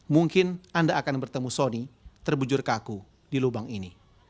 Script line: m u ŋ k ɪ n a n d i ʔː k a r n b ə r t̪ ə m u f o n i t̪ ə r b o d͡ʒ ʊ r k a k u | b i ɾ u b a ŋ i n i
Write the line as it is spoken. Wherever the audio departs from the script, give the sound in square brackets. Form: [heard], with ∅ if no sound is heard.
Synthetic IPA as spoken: m u ŋ k ɪ n a n d [a] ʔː k a [∅] n b ə r t̪ ə m u [s] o n i t̪ ə r b [u] d͡ʒ ʊ r k a k u | [d] i [l] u b a ŋ i n i